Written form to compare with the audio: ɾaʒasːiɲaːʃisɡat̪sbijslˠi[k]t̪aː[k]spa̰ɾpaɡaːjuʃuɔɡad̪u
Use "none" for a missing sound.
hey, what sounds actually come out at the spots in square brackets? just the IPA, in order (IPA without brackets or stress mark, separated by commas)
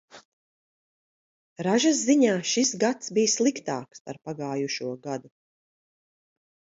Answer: k, k